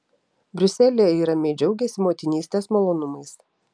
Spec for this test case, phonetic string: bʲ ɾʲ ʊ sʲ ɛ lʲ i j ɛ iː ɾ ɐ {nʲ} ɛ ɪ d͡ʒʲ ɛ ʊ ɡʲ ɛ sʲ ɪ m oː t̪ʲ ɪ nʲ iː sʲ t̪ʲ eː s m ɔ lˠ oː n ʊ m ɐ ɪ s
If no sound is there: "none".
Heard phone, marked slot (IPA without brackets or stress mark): mʲ